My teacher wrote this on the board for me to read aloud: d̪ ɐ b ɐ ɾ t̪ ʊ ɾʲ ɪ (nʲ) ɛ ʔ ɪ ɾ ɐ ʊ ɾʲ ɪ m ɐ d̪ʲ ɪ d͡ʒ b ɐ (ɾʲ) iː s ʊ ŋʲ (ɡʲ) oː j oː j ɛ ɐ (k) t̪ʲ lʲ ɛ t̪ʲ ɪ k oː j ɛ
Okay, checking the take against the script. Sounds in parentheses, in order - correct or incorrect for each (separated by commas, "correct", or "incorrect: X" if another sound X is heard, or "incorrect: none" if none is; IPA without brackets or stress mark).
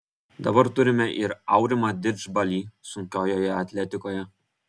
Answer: incorrect: mʲ, incorrect: lʲ, incorrect: kʲ, incorrect: none